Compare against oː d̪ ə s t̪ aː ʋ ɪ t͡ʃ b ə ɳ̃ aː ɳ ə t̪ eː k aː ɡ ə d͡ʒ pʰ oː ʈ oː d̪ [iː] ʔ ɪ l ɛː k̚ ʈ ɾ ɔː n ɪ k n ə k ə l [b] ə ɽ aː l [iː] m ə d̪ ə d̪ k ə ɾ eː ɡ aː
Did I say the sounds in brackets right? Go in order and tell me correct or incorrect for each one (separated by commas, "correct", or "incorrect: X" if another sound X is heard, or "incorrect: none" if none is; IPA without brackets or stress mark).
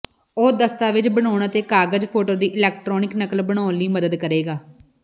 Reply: correct, correct, correct